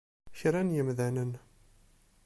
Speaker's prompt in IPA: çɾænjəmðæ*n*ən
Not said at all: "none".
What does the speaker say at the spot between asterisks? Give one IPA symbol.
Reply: n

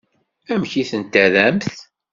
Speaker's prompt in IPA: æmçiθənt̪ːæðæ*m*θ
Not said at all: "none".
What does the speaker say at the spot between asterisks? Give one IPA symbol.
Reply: m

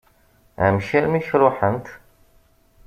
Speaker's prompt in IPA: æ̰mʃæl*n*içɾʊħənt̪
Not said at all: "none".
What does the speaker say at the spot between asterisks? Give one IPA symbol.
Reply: m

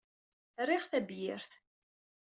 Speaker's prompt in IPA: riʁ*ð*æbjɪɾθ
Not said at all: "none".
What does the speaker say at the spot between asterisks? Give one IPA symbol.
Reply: θ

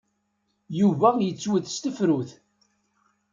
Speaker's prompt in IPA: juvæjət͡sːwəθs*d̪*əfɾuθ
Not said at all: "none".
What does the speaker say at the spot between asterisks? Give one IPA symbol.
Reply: t̪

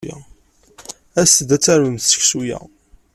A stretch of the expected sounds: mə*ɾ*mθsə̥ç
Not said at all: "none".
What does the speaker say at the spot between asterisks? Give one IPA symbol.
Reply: none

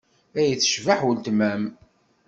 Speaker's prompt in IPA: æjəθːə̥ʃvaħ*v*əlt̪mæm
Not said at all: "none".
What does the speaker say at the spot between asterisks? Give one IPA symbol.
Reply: w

